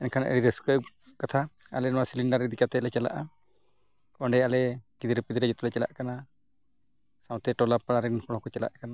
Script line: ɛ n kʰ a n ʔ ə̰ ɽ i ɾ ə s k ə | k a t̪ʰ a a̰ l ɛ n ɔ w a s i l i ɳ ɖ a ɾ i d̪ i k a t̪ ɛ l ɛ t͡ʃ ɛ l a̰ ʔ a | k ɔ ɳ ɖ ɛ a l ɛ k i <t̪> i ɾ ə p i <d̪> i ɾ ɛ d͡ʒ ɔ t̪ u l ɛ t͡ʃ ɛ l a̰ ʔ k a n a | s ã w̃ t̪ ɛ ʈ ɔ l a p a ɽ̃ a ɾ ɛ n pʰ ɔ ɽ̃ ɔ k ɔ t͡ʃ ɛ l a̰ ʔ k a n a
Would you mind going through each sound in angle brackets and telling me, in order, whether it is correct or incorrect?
incorrect: d̪, correct

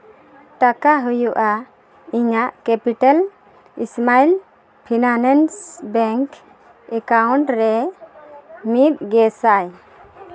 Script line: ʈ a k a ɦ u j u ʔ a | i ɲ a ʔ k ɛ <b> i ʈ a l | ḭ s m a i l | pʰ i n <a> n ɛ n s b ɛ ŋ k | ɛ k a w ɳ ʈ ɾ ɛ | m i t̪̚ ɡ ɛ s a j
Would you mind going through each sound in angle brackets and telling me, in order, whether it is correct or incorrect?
incorrect: p, correct

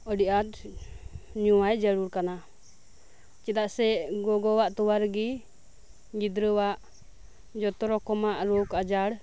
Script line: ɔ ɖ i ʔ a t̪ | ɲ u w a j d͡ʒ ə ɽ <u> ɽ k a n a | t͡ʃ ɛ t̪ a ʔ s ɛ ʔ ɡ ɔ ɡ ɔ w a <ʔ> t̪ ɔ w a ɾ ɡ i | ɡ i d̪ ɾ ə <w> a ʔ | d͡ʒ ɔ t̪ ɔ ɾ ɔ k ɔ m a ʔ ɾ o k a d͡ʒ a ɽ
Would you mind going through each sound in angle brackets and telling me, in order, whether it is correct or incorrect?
correct, correct, correct

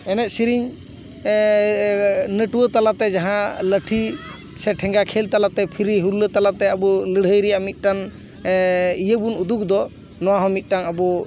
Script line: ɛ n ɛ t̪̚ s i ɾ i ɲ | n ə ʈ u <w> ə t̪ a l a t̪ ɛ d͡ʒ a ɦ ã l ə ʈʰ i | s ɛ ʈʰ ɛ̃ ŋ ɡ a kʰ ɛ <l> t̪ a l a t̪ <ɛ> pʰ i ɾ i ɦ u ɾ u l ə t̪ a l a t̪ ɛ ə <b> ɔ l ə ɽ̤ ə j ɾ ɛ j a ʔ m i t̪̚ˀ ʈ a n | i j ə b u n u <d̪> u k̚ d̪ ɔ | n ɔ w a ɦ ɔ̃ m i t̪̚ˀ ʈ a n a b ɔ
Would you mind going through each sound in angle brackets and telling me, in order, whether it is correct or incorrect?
correct, correct, correct, correct, correct

